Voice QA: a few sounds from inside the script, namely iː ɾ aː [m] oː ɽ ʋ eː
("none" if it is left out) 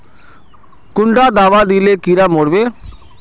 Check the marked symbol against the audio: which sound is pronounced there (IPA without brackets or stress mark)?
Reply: m